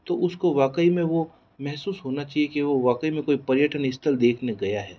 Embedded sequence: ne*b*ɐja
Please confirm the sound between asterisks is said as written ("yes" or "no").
no